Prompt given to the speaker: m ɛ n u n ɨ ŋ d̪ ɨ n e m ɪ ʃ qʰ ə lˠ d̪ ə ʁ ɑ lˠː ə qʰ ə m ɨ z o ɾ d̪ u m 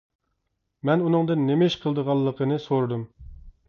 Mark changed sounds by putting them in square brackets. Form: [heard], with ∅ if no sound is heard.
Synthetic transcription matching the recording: m ɛ n u n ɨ ŋ d̪ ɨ [nː] e m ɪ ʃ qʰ ə lˠ d̪ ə ʁ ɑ lˠː ə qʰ ə [n] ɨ [s] o ɾ d̪ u m